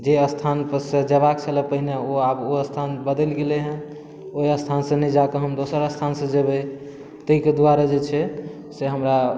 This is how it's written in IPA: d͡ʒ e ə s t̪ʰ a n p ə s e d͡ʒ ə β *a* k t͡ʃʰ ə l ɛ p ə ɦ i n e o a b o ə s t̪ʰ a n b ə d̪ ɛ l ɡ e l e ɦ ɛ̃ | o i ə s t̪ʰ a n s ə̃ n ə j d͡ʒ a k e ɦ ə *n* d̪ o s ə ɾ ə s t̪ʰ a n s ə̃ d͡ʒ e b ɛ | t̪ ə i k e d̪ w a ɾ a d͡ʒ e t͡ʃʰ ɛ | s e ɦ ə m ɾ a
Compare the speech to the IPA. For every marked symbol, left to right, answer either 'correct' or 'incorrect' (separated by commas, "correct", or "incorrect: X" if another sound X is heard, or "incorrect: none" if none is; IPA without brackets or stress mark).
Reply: correct, incorrect: m